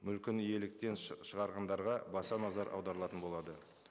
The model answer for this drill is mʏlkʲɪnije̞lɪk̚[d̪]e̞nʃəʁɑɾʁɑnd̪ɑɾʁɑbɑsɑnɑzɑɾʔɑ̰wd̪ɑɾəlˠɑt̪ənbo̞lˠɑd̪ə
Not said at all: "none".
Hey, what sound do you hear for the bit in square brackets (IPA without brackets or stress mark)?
t̪